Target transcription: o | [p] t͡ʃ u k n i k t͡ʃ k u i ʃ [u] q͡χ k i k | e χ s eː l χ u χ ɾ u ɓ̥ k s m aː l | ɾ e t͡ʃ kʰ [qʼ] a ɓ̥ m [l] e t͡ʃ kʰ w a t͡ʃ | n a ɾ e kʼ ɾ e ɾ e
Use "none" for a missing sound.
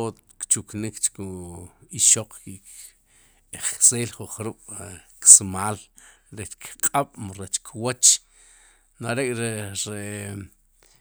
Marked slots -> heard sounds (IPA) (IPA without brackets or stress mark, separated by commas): k, o, qʼ, ɾ